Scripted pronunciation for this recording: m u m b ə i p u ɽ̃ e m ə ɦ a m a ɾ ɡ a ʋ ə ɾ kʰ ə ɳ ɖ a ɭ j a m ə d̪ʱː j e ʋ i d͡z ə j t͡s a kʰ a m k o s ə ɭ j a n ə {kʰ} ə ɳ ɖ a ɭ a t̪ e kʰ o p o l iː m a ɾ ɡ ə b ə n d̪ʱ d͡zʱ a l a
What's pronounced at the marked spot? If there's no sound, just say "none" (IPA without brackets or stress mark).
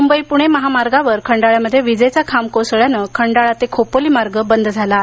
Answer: kʰ